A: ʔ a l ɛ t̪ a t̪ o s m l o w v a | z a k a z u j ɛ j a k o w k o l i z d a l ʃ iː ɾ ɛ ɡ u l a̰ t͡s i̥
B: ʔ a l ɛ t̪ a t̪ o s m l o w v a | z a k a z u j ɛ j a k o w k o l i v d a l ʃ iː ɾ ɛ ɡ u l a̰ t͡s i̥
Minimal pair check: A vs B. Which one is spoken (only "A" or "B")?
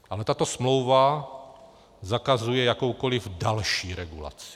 B